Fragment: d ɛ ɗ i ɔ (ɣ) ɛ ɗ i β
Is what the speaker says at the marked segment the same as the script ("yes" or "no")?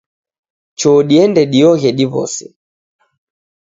yes